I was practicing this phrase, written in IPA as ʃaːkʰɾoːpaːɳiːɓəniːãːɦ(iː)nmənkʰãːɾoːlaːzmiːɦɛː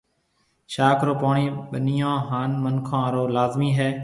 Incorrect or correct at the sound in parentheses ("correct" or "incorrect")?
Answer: incorrect